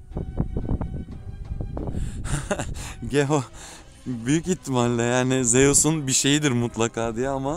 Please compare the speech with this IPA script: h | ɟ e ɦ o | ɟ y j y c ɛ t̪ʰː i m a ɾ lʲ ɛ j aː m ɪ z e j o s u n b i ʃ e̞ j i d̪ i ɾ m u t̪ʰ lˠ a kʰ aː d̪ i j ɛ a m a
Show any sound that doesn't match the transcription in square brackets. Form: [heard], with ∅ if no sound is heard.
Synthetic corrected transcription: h | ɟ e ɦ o | [b] y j y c [i] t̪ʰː i m a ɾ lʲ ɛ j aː [n] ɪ z e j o s u n b i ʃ e̞ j i d̪ i ɾ m u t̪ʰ lˠ a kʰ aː d̪ i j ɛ a m a